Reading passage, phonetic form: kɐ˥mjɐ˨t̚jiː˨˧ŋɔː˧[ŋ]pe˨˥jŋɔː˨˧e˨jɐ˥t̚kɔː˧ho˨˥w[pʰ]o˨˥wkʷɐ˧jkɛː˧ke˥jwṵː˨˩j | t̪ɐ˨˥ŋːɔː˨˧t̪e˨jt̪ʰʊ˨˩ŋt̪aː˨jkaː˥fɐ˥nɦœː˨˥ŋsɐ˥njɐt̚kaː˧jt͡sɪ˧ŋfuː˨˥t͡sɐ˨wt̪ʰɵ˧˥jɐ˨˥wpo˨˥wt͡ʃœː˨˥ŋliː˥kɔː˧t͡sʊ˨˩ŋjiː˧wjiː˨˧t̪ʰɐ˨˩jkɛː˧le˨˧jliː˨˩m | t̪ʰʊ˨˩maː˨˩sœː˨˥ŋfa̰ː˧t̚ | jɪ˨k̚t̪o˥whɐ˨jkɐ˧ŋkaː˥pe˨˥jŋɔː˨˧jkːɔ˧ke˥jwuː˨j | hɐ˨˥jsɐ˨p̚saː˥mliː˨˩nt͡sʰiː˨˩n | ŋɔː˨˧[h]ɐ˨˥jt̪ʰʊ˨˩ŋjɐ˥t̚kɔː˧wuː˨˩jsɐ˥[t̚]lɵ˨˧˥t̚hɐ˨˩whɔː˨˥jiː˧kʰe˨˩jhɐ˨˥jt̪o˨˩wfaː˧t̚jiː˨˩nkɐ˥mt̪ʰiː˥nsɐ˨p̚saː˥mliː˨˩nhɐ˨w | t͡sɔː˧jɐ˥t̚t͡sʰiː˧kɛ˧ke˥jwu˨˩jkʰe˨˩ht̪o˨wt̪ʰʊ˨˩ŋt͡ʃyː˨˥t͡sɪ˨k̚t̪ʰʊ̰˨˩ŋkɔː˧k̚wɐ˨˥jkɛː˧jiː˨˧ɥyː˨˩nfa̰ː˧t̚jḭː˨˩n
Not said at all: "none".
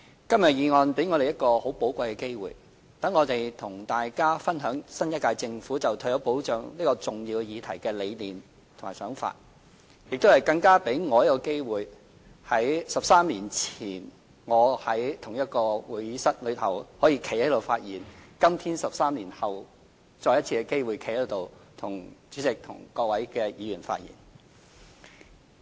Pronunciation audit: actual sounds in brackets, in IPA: n, p, h, t̚

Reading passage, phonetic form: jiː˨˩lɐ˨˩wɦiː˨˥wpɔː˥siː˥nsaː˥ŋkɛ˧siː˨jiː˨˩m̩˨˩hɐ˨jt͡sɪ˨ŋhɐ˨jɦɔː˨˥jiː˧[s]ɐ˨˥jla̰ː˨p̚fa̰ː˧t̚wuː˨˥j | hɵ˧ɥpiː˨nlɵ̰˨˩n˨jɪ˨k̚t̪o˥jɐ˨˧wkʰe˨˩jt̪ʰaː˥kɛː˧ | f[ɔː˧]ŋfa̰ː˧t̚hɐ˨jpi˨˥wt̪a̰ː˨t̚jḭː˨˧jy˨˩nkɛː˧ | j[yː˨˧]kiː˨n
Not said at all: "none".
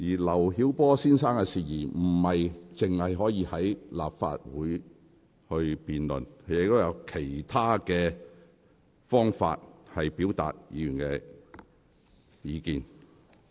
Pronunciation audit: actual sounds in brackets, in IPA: h, ɔː˥, iː˨˧

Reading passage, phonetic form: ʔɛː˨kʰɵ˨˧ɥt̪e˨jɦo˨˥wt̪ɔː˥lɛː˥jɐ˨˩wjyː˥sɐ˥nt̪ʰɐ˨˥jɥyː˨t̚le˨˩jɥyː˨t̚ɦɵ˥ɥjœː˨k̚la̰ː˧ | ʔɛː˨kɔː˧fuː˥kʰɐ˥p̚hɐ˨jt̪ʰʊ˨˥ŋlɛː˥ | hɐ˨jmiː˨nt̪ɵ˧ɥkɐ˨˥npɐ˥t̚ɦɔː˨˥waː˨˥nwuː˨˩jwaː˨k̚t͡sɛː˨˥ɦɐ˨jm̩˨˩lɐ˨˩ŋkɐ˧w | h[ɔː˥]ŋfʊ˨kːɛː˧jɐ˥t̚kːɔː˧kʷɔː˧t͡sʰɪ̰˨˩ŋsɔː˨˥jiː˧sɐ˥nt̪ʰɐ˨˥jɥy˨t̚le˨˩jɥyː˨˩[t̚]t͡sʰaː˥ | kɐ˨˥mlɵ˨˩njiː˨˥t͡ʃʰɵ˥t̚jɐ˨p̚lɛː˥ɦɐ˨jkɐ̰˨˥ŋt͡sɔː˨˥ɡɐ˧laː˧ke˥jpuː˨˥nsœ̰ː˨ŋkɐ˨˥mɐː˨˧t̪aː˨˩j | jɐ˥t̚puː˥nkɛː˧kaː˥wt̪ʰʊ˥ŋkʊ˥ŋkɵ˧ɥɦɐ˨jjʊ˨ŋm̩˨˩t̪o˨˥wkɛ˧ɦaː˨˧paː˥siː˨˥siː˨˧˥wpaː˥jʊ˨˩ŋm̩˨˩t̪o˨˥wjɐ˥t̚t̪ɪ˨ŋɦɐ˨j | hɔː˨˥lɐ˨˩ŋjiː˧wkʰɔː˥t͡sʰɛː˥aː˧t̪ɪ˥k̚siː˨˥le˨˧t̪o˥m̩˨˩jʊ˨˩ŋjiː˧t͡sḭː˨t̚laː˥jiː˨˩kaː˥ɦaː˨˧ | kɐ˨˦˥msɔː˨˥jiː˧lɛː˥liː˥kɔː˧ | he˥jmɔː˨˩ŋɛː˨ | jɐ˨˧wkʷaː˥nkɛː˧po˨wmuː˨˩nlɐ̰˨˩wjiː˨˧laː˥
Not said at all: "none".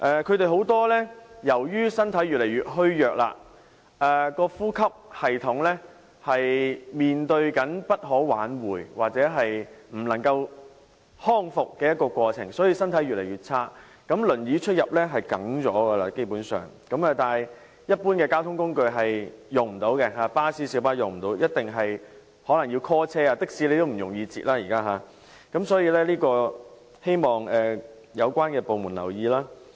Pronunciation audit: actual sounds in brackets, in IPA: ɔː˥, t̚

